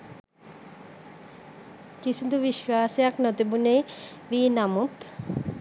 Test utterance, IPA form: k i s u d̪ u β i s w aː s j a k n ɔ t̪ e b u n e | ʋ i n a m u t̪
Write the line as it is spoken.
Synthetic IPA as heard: k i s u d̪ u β i ʃ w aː s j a k n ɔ t̪ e b u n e | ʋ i n a m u t̪